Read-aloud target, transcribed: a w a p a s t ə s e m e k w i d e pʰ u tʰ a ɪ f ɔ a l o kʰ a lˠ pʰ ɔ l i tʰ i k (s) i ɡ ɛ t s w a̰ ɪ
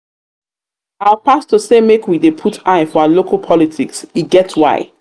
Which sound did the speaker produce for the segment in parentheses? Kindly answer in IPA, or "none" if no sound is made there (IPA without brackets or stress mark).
s